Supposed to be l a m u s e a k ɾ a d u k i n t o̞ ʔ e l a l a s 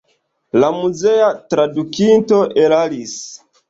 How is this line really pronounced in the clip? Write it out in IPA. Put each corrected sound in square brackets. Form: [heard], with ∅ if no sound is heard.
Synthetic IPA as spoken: l a m u [z] e a [t] ɾ a d u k i n t o̞ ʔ e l a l [i] s

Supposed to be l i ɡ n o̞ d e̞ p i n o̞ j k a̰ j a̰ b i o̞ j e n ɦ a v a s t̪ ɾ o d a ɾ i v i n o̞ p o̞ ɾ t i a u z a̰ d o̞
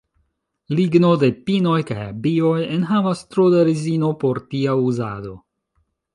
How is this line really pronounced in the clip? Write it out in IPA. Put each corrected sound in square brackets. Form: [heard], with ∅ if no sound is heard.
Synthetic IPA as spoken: l i ɡ n o̞ d e̞ p i n o̞ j k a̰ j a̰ b i o̞ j e n ɦ a v a s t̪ ɾ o d a ɾ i [z] i n o̞ p o̞ ɾ t i a u z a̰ d o̞

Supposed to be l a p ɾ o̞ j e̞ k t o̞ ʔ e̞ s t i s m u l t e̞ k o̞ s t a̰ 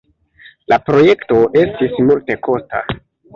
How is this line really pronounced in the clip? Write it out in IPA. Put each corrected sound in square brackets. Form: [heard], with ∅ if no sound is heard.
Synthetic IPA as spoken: l a p ɾ o̞ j e̞ k t o̞ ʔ e̞ s t i s m u l t e̞ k o̞ s t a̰

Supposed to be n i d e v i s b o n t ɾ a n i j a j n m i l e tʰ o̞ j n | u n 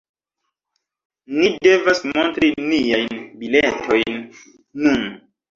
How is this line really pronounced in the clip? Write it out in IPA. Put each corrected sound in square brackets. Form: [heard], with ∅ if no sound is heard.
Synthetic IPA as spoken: n i d e v [a] s [m] o n t ɾ [i] n i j a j n [b] i l e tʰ o̞ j [nː] | u n

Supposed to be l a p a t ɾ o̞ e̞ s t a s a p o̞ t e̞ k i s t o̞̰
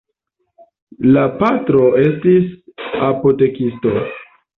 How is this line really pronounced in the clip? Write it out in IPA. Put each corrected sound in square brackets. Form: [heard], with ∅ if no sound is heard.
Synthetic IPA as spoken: l a p a t ɾ o̞ e̞ s t [i] s a p o̞ t e̞ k i s t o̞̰

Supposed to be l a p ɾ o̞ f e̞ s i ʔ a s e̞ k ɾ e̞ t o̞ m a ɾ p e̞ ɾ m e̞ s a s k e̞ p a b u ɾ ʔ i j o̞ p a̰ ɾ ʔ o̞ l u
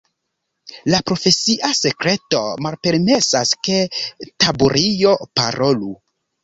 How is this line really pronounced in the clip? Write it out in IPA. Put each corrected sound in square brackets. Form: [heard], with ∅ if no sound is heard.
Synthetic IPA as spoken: l a p ɾ o̞ f e̞ s i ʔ a s e̞ k ɾ e̞ t o̞ m a [l] p e̞ ɾ m e̞ s a s k e̞ [t] a b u ɾ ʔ i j o̞ p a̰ ɾ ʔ o̞ l u

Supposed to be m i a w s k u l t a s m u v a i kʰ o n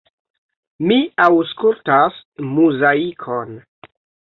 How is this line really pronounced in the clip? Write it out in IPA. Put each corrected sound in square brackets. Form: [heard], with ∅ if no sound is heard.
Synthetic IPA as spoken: m i a w s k u l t a s m u [z] a i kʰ o n

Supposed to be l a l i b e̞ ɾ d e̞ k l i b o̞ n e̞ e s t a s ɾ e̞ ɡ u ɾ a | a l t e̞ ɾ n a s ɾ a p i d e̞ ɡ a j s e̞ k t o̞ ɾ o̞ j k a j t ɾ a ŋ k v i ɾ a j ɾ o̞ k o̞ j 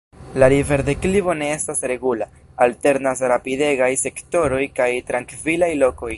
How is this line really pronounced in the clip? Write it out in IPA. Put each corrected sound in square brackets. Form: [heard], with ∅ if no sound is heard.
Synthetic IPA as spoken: l a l i [v] e̞ ɾ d e̞ k l i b o̞ n e̞ e s t a s ɾ e̞ ɡ u [l] a | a l t e̞ ɾ n a s ɾ a p i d e̞ ɡ a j s e̞ k t o̞ ɾ o̞ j k a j t ɾ a ŋ k v i [l] a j [l] o̞ k o̞ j

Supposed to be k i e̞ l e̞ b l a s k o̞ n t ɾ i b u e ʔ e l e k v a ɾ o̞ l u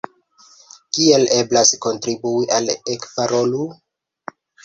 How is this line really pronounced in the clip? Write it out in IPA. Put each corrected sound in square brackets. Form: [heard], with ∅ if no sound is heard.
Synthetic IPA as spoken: k i e̞ l e̞ b l a s k o̞ n t ɾ i b u [i] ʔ [a] l e k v a ɾ o̞ l u

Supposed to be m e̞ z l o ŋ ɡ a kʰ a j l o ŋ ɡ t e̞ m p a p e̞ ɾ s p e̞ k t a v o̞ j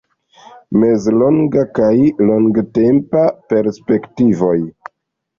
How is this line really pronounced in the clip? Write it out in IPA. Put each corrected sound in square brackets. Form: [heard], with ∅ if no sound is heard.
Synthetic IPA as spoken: m e̞ z l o ŋ ɡ a [k] a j l o ŋ ɡ t e̞ m p a p e̞ ɾ s p e̞ k t [i] v o̞ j

